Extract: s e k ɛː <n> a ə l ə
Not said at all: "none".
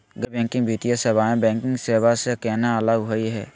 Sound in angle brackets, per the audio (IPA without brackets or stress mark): n